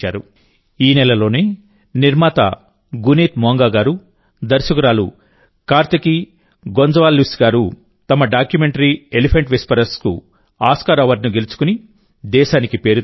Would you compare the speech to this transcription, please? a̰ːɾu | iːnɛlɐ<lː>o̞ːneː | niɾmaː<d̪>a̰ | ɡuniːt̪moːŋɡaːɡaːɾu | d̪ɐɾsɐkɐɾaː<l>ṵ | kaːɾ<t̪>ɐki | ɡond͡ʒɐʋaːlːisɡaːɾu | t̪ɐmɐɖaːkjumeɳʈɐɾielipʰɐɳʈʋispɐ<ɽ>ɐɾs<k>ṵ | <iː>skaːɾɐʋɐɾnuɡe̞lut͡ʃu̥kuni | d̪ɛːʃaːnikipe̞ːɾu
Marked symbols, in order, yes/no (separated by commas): no, no, yes, yes, no, yes, no